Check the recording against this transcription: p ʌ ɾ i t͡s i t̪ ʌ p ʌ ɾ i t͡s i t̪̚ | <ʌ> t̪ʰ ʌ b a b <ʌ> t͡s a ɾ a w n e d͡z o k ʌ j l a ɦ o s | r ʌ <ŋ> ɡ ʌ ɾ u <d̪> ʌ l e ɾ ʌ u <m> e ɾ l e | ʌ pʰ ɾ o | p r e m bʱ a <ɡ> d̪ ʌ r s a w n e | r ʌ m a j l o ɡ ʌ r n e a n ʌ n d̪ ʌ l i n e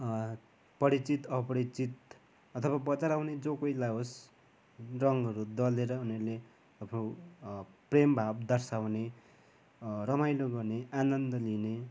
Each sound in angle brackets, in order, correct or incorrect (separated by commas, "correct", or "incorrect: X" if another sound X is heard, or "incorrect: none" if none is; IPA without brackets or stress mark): correct, correct, correct, correct, incorrect: n, incorrect: b